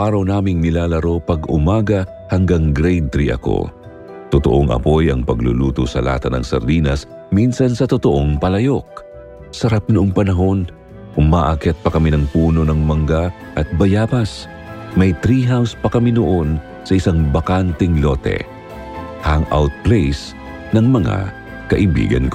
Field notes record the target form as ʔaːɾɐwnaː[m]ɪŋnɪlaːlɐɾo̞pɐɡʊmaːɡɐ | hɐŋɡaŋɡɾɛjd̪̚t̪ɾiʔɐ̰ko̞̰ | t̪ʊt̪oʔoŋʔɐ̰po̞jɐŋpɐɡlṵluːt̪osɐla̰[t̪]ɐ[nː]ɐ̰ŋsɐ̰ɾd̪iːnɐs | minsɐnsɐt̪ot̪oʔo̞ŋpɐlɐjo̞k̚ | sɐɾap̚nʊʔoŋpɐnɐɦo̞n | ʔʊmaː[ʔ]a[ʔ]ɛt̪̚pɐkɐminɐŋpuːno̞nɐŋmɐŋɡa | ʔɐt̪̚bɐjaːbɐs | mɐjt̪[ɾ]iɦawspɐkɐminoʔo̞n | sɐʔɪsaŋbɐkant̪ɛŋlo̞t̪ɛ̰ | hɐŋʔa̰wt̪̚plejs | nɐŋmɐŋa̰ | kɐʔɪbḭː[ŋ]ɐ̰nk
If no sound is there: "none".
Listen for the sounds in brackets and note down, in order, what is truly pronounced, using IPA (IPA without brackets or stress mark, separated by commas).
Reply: m, t̪, n, ʔ, k, ɾ, ɡ